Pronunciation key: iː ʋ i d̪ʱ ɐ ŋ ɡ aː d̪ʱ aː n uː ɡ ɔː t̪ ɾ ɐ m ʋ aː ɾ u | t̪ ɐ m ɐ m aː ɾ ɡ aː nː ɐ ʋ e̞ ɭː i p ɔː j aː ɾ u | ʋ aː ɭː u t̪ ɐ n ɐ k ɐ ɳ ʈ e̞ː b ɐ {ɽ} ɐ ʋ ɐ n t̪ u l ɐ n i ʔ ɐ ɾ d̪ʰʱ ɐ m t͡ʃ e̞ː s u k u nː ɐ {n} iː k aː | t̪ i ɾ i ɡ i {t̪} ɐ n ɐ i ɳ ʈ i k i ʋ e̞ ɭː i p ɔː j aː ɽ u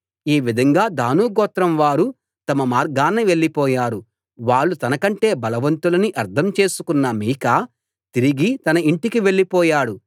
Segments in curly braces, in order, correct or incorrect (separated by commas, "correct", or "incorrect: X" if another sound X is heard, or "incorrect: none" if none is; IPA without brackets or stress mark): incorrect: l, incorrect: m, correct